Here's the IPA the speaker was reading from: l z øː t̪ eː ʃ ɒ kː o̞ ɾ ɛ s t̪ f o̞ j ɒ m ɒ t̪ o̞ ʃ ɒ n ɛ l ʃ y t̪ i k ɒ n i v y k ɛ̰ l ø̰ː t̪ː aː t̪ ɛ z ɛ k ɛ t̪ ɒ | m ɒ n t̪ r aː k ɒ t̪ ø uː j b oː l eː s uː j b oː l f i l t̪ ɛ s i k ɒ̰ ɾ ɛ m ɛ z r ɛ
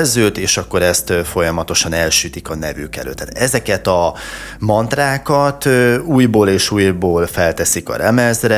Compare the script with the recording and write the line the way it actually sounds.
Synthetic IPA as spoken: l z øː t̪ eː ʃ ɒ kː o̞ ɾ ɛ s t̪ f o̞ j ɒ m ɒ t̪ o̞ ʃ ɒ n ɛ l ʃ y t̪ i k ɒ n ɛ v y k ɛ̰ l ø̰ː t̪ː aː t̪ ɛ z ɛ k ɛ t̪ ɒ | m ɒ n t̪ r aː k ɒ t̪ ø uː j b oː l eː ʃ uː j b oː l f ɛ l t̪ ɛ s i k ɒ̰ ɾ ɛ m ɛ z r ɛ